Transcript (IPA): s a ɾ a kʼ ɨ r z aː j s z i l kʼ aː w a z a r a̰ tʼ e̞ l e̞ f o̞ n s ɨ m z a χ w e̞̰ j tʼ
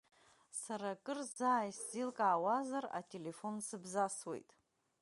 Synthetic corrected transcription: s a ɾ a kʼ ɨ r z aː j s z i l kʼ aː w a z a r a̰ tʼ e̞ l e̞ f o̞ n s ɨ b z a s w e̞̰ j tʼ